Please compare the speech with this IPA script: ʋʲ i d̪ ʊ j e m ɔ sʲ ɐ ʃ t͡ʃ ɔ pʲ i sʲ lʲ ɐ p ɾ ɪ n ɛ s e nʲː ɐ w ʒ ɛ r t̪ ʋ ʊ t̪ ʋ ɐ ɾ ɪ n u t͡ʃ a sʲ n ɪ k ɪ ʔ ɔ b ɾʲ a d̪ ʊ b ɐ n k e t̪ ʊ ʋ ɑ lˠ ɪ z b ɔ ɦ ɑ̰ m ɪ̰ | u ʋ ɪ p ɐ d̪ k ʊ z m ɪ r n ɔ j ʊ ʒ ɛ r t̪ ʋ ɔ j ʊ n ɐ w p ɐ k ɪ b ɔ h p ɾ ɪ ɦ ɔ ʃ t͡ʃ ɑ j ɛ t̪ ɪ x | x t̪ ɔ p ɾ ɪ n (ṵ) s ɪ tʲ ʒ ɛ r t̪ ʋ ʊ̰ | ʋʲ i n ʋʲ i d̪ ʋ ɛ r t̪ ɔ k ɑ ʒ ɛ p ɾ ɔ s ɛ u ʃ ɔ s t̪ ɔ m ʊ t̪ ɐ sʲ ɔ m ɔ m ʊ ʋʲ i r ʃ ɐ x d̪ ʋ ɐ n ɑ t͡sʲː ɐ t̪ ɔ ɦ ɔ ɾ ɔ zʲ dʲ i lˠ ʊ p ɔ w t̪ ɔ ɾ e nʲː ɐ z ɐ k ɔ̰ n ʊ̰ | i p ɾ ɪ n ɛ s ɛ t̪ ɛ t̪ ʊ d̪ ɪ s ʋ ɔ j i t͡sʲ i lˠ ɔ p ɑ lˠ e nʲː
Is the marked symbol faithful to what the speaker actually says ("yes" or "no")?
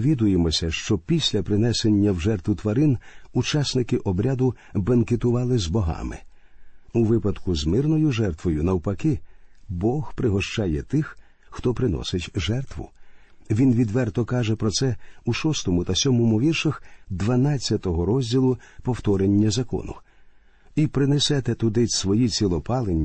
no